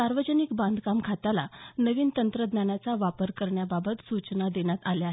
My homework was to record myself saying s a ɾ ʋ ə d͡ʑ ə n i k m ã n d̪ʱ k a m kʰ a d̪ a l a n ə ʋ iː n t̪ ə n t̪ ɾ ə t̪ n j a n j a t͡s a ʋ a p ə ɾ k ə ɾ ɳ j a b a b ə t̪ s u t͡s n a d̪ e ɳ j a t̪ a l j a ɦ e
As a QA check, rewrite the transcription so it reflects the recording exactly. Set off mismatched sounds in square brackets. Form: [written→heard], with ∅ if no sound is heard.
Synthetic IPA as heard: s a ɾ ʋ ə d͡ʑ ə n i k [m→b] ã n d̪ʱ k a m kʰ a [d̪→t̪] a l a n ə ʋ iː n t̪ ə n t̪ ɾ ə [t̪→d̪] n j a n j a t͡s a ʋ a p ə ɾ k ə ɾ ɳ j a b a b ə t̪ s u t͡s n a d̪ e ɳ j a t̪ a l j a ɦ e